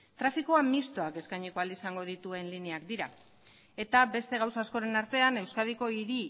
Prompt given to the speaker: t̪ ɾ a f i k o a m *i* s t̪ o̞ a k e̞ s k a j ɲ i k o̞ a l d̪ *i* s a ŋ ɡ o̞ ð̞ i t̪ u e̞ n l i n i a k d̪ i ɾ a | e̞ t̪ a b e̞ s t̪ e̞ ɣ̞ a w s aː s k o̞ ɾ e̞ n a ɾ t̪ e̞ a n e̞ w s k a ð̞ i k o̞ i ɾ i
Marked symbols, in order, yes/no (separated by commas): yes, yes